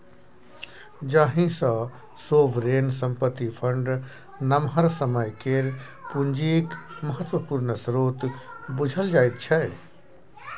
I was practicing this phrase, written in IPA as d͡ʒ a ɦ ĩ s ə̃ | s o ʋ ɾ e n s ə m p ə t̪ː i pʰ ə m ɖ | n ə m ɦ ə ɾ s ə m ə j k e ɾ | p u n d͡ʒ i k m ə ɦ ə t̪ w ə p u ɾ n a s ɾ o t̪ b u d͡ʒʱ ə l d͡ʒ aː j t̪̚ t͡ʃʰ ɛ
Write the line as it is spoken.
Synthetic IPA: d͡ʒ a ɦ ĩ s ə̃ | s o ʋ ɾ e n s ə m p ə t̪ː i pʰ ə ɳ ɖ | n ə m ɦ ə ɾ s ə m ə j k e ɾ | p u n d͡ʒ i k m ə ɦ ə t̪ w ə p u ɾ n ə s ɾ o t̪ b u d͡ʒʱ ə l d͡ʒ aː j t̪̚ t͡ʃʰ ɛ